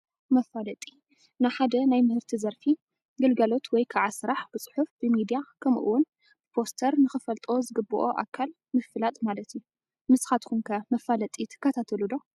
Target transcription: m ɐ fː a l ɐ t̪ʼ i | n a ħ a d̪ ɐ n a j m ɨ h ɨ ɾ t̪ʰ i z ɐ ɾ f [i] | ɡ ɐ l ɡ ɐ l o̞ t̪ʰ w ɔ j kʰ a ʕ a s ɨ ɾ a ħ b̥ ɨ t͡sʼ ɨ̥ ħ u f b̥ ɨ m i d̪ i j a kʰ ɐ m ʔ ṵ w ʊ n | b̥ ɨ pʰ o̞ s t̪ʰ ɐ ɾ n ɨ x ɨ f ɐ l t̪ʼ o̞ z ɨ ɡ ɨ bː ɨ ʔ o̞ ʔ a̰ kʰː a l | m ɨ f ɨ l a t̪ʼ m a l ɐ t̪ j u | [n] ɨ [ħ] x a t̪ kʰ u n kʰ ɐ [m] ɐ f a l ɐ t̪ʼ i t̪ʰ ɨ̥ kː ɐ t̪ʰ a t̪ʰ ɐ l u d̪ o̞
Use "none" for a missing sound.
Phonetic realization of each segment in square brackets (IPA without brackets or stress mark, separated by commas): i, m, s, m